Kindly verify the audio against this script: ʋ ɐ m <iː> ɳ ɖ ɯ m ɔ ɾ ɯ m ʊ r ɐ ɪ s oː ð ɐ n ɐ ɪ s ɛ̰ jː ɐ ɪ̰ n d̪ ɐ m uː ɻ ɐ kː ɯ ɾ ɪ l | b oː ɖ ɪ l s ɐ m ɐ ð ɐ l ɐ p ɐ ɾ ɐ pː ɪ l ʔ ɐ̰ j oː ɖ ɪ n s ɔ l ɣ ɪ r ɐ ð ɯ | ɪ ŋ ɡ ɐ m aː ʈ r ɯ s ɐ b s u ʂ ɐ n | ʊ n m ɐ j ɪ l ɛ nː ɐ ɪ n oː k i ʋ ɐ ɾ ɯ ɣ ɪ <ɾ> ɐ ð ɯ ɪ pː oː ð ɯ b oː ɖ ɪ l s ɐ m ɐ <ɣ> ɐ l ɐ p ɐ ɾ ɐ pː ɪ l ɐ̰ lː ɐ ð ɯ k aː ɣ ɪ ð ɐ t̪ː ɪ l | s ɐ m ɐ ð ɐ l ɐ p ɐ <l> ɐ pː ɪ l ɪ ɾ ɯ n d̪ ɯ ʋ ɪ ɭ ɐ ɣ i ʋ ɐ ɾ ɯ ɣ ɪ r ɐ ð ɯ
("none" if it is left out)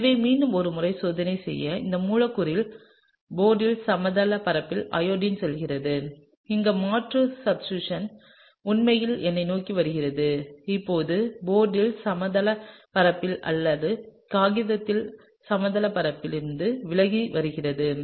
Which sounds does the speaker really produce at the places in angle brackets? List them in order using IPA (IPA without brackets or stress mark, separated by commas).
iː, r, ð, ɾ